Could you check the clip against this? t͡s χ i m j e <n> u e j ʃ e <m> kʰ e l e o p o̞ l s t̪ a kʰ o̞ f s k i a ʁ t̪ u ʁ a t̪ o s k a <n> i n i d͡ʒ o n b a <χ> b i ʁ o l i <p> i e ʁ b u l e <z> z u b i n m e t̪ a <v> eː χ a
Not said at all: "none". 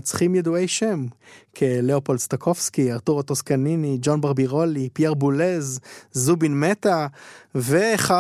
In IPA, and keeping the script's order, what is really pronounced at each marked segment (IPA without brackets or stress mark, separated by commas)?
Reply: d, m, n, ʁ, p, z, v